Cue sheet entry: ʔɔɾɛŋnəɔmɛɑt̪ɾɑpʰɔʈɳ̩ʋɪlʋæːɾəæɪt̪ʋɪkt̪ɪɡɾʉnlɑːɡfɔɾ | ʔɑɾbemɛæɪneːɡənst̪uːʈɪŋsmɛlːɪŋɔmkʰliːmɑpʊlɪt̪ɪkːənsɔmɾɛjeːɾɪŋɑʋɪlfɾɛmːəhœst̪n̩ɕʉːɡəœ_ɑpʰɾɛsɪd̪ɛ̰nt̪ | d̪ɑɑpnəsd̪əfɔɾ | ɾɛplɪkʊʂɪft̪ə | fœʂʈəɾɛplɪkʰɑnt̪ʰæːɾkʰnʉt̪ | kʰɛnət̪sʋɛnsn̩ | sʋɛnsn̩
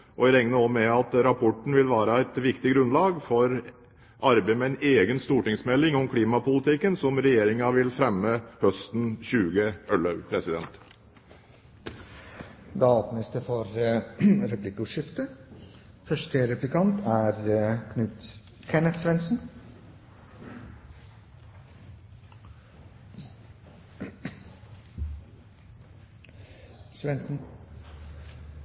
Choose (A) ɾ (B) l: B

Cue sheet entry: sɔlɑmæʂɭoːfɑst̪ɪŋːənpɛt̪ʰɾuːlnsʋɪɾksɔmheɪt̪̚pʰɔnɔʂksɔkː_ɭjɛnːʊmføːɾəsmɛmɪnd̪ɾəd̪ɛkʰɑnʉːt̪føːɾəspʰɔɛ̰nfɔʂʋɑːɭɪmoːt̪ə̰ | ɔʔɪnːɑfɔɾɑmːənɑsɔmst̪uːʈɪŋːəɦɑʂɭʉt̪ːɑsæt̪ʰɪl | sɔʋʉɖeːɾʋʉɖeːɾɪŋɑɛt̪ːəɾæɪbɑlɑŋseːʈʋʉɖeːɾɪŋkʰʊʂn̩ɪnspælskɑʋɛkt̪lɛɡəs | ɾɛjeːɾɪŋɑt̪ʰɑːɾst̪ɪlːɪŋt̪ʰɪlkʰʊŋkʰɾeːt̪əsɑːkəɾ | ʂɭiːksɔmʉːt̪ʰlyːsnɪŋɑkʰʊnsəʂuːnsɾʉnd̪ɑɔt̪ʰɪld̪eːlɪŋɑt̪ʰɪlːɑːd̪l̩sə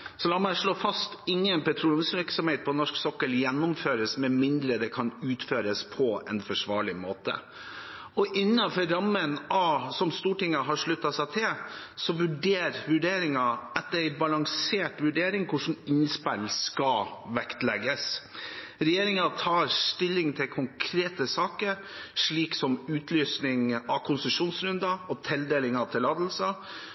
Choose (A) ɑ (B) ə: B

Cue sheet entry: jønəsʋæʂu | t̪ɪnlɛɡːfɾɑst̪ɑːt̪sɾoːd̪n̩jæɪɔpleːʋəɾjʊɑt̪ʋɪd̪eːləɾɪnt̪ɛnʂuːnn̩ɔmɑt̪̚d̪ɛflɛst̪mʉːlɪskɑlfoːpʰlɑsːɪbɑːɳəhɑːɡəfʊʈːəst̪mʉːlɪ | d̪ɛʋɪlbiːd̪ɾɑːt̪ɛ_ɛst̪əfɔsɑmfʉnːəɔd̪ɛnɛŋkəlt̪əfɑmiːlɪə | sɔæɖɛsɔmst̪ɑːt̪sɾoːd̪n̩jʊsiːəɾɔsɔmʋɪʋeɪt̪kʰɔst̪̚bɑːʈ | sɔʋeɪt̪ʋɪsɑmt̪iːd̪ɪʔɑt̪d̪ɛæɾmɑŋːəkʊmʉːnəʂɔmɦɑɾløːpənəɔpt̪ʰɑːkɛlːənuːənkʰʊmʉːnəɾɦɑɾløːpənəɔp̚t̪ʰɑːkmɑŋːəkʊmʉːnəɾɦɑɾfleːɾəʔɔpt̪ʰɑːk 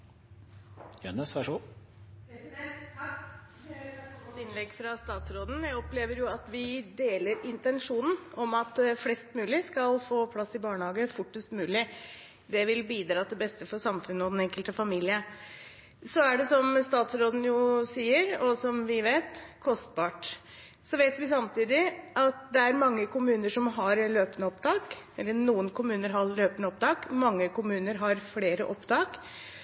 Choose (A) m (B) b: B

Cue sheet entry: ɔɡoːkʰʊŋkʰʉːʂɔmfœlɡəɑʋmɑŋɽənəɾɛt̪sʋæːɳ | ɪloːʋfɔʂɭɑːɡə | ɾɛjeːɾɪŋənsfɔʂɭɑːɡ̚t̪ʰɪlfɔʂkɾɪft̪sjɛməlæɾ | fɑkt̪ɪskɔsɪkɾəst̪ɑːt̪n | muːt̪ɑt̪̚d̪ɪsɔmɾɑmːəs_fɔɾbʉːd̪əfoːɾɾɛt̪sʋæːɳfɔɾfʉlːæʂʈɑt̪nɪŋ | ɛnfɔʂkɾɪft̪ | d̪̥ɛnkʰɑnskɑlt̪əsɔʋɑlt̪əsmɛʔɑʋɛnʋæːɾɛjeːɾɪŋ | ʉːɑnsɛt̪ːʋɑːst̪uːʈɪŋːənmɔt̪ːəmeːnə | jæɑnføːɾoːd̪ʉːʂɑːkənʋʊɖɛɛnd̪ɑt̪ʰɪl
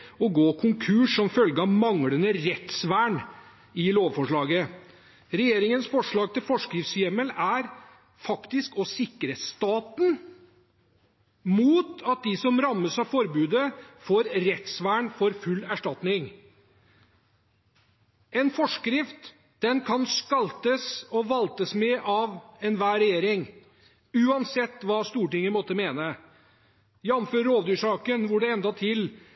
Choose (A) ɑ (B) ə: A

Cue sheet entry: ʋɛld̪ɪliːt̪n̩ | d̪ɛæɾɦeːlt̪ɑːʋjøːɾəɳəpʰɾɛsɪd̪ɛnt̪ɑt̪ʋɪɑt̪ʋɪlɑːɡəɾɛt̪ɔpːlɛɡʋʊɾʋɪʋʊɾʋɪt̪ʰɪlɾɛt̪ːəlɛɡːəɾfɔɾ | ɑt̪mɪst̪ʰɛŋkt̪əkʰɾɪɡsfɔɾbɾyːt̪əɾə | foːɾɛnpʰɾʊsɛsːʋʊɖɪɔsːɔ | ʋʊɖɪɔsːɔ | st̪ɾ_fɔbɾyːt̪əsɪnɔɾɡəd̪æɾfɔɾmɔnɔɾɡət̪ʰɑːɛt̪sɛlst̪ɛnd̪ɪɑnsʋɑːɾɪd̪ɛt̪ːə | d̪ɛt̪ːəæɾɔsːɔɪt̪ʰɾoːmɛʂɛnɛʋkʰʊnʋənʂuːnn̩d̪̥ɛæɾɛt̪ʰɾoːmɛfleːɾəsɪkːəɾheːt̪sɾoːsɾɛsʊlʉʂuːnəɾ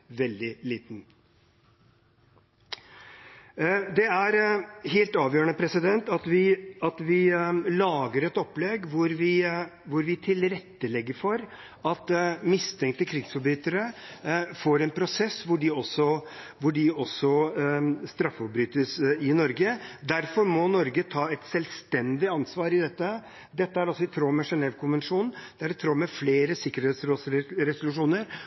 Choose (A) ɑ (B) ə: A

